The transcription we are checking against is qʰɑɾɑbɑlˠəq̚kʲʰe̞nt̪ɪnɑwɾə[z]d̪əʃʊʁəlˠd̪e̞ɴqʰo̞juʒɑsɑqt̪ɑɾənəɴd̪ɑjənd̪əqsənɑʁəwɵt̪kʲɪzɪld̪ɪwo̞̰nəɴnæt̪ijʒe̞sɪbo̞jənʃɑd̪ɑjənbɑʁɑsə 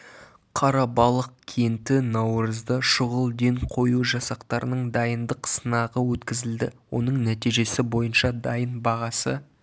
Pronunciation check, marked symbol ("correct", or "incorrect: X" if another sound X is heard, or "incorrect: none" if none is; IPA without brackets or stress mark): correct